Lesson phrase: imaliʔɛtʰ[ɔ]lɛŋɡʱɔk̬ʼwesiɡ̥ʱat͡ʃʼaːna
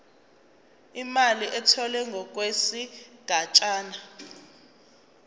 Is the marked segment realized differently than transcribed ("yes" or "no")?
no